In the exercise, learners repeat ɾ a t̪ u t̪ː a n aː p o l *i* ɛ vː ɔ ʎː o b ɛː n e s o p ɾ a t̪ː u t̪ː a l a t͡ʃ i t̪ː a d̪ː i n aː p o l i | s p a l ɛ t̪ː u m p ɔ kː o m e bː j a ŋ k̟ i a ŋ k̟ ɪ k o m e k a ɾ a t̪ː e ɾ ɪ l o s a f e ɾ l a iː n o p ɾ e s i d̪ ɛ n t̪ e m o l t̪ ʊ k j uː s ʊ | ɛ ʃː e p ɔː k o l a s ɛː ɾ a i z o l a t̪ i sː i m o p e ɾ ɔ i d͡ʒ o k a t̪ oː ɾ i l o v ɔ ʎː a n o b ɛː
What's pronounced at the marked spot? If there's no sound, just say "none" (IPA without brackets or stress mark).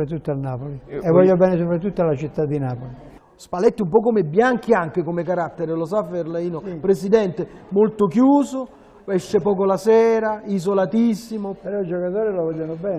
i